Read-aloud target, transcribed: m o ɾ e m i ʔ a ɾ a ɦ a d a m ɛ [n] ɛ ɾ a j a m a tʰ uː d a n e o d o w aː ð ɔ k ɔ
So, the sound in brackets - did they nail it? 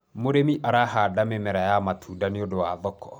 no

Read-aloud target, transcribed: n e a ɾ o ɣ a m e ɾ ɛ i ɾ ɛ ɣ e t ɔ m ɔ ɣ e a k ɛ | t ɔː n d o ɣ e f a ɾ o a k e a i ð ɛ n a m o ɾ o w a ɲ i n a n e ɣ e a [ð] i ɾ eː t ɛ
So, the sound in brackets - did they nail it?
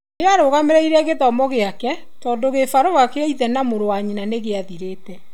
yes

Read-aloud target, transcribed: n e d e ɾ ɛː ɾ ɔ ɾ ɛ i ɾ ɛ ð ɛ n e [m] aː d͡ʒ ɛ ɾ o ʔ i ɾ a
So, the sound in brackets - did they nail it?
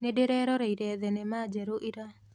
yes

